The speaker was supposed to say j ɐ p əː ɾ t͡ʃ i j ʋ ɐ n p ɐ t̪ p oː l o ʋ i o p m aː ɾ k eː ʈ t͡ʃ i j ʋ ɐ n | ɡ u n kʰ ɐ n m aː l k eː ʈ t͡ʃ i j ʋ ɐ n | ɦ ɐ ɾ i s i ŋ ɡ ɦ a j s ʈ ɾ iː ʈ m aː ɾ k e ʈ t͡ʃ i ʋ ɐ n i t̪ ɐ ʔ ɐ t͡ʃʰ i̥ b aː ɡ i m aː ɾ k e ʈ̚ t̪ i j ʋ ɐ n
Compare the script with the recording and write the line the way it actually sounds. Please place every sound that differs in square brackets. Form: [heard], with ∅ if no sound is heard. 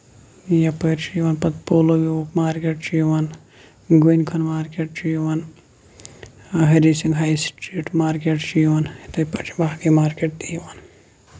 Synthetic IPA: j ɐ p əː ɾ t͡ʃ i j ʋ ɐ n p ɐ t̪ p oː l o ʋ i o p m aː ɾ k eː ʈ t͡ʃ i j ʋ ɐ n | ɡ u n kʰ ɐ n m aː [ɾ] k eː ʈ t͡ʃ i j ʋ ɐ n | ɦ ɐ ɾ i s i ŋ ɡ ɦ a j s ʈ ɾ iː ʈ m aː ɾ k e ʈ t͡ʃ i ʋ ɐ n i t̪ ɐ [p] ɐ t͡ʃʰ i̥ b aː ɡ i m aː ɾ k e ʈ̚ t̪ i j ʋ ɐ n